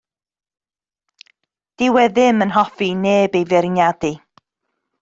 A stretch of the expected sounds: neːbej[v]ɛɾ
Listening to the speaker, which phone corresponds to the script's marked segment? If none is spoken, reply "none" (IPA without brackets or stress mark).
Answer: v